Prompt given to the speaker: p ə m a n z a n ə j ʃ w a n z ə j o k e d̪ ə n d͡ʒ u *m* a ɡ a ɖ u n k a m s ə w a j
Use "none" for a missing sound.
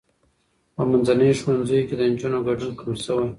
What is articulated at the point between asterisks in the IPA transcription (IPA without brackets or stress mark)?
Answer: n